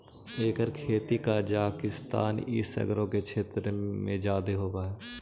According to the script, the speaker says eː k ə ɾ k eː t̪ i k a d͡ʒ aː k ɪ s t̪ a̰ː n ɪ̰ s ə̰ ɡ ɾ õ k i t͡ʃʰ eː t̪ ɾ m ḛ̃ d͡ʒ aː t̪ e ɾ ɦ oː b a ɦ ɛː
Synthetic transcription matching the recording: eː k ə ɾ kʰ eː t̪ i k a d͡ʒ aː k ɪ s t̪ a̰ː n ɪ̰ s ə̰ ɡ ɾ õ k e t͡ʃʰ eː t̪ ɾ m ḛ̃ d͡ʒ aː d̪ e ɦ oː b a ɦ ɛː